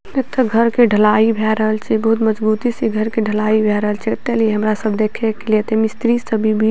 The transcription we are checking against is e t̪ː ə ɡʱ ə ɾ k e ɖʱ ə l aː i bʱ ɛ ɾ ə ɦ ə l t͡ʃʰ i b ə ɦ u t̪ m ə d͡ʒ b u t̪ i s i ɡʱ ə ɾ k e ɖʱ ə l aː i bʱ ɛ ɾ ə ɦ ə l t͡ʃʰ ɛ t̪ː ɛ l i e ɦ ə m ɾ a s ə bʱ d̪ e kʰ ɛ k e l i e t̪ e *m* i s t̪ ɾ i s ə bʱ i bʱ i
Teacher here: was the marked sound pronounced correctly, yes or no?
yes